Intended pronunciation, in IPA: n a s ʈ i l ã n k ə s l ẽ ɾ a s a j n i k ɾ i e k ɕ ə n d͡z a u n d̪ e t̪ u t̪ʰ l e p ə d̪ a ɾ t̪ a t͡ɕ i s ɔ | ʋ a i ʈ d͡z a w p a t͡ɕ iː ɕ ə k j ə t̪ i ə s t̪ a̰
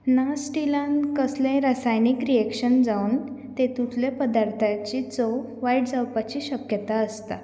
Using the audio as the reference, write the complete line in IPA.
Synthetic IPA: n a s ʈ i l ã n k ə s l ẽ ɾ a s a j n i k ɾ i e k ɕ ə n d͡z a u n t̪ e t̪ u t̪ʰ l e p ə d̪ a ɾ t̪ʰ a t͡ɕ i t͡s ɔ | ʋ a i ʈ d͡z a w p a t͡ɕ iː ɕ ə k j ə t̪ a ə s t̪ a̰

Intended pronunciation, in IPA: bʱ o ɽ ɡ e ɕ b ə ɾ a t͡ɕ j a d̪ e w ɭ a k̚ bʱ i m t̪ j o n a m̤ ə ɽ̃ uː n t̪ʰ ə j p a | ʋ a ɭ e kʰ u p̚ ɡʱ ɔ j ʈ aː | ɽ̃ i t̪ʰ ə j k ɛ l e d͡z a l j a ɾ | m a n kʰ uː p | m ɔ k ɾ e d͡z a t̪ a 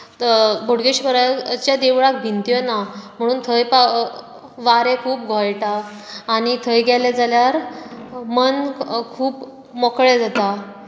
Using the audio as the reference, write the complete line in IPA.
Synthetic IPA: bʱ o ɽ ɡ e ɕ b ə ɾ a t͡ɕ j a d̪ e ʋ ɭ a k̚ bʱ i n t̪ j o n a m̤ ə ɽ̃ uː n t̪ʰ ə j p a | ʋ a ɾ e kʰ uː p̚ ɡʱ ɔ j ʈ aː | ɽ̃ i t̪ʰ ə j ɡ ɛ l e d͡z a l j a ɾ | m ə n kʰ uː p | m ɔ k ɭ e d͡z a t̪ a

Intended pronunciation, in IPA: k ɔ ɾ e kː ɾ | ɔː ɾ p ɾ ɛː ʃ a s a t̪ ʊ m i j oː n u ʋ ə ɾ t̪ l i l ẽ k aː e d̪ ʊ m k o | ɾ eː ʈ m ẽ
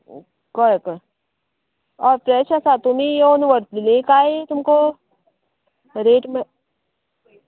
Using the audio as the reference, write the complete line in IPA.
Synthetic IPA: k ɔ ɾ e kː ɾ | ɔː ɾ p ɾ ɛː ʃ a s a t̪ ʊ m i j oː n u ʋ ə ɾ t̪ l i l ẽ k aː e t̪ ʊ m k o | ɾ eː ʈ m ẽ

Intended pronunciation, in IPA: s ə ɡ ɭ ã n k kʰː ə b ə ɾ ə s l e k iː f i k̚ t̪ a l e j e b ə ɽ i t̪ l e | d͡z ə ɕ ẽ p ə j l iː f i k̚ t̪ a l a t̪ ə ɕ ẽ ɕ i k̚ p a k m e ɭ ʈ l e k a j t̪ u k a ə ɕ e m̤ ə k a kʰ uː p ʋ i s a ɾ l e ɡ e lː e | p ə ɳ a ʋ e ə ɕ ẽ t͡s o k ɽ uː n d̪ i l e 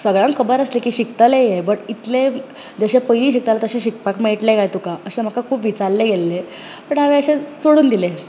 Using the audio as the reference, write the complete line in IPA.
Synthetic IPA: s ə ɡ ɭ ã ŋ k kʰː ə b ə ɾ ə s l e k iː ɕ i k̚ t̪ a l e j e b ə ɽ i t̪ l e | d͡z ə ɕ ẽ p ə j l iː ɕ i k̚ t̪ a l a t̪ ə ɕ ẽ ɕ i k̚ p a k m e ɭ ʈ l e k a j t̪ u k a ə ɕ e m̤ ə k a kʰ uː p ʋ i t͡s a ɾ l e ɡ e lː e | p ə ɳ a ʋ e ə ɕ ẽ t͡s o ɽ uː n d̪ i l e

